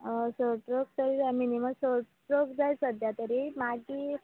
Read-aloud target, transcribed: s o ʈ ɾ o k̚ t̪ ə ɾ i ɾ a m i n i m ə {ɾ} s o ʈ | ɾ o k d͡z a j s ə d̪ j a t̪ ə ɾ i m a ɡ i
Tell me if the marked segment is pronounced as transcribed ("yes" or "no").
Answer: no